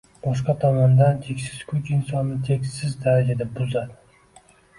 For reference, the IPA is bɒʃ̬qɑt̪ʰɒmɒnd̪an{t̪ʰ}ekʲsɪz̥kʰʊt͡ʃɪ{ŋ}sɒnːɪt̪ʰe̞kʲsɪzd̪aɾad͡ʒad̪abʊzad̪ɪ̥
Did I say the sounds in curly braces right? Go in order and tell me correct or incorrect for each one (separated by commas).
correct, incorrect